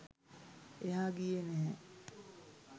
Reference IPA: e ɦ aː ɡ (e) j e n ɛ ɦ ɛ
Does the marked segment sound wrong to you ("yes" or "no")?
yes